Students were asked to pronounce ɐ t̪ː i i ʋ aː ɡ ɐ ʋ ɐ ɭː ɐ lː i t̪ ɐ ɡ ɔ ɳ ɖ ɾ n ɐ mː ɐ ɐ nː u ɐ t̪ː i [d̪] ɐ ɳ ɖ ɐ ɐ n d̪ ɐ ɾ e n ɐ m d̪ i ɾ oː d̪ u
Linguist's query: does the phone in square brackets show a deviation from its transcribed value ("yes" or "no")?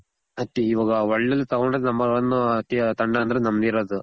yes